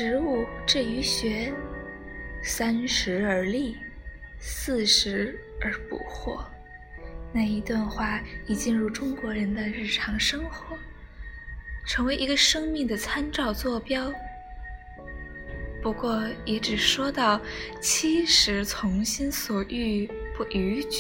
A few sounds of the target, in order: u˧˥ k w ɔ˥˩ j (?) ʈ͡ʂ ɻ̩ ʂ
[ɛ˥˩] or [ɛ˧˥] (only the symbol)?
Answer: ɛ˧˥